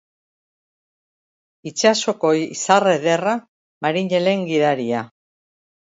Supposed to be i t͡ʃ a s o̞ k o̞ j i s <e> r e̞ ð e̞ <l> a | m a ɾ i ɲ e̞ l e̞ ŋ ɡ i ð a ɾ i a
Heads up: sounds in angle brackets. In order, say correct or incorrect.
incorrect: a, incorrect: r

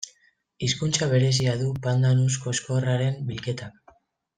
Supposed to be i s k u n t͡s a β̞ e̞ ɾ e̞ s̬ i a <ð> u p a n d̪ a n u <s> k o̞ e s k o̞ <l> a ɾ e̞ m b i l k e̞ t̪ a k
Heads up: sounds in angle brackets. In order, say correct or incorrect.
correct, correct, incorrect: r

